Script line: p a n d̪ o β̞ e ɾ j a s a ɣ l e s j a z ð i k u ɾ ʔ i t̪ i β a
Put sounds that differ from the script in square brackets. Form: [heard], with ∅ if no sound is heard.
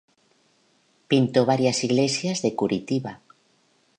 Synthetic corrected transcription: p [i] n [t̪] o β̞ [a] ɾ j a s [i] ɣ l e s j a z ð [e] k u ɾ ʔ i t̪ i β a